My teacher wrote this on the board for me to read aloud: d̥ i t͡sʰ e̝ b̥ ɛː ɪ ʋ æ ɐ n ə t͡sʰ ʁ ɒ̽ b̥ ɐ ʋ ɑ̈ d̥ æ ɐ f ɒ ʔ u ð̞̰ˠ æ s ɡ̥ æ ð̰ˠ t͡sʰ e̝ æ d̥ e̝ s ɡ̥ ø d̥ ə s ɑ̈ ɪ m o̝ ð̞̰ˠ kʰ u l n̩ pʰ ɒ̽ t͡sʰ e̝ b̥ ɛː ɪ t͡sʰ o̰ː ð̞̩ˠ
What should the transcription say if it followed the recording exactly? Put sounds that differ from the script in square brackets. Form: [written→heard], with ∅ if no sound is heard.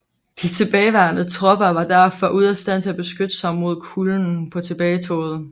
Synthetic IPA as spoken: d̥ i t͡sʰ e̝ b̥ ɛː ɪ ʋ æ ɐ n ə t͡sʰ ʁ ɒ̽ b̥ ɐ ʋ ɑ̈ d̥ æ ɐ f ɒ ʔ u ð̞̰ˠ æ s [ɡ̥→d̥] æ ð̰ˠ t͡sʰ e̝ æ [d̥→b̥] e̝ s ɡ̥ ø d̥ ə s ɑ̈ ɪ m o̝ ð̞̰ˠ kʰ u l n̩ pʰ ɒ̽ t͡sʰ e̝ b̥ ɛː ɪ t͡sʰ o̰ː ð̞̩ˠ